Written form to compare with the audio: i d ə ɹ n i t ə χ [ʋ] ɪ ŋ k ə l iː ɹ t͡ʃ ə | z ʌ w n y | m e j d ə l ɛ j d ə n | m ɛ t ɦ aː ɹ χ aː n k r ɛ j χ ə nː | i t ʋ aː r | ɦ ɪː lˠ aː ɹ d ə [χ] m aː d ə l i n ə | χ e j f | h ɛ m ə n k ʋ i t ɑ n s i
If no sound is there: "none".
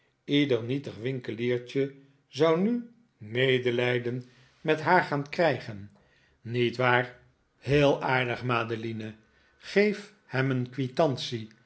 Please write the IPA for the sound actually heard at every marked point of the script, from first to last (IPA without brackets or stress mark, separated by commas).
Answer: ʋ, χ